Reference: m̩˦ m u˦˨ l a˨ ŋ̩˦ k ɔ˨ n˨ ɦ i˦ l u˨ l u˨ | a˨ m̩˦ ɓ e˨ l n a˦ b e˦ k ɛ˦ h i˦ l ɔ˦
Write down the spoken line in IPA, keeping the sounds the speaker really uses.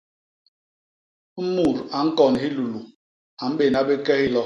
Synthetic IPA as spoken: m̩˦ m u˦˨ ɾ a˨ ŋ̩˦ k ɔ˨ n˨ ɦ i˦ l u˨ l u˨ | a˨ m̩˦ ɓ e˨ n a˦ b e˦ k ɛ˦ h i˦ l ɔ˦